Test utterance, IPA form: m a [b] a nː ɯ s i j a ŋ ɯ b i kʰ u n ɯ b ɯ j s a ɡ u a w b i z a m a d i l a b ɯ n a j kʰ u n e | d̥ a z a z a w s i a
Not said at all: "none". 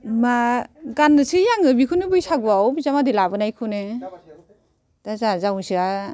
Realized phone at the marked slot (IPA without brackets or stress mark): ɡ